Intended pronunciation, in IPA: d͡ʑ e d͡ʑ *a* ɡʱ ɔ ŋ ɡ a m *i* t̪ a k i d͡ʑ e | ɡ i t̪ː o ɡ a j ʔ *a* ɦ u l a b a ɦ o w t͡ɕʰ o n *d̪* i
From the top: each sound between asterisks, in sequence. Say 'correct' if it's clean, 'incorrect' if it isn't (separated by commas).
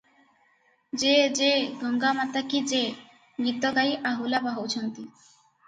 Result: incorrect, incorrect, correct, incorrect